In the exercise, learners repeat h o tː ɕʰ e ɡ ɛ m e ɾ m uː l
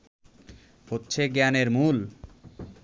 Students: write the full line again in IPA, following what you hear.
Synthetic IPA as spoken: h o tː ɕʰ e ɡ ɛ n e ɾ m u l